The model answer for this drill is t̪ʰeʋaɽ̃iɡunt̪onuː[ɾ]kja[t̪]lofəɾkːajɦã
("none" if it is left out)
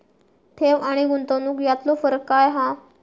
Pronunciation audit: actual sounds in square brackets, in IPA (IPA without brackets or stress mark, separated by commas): none, t̪